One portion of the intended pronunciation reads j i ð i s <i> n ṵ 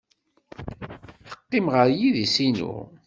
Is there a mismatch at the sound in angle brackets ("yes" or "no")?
no